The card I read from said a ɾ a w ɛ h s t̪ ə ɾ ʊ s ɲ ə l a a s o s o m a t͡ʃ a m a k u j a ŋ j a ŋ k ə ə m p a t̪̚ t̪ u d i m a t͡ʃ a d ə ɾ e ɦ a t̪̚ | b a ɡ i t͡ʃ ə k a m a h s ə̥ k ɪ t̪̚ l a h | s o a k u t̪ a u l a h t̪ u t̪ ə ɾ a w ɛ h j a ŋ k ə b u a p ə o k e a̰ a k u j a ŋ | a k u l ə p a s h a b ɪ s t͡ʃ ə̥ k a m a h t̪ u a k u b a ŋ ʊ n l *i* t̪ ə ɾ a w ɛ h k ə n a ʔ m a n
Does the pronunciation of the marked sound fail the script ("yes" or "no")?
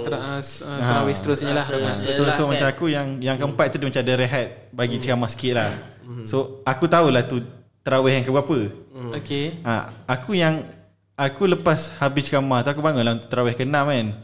yes